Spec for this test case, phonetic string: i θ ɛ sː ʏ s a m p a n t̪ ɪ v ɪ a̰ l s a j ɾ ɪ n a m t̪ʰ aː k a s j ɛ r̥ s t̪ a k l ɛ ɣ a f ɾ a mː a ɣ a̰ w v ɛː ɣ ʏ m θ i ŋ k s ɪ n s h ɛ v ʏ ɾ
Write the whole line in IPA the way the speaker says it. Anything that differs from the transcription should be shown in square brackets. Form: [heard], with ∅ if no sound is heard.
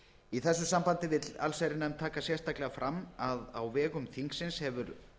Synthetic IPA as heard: i θ ɛ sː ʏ s a m p a n t̪ ɪ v ɪ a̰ l s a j ɾ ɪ n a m t̪ʰ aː k a s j ɛ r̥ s t̪ a k l ɛ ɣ a f ɾ a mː a [ð] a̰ w v ɛː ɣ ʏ m θ i ŋ k s ɪ n s h ɛ v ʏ ɾ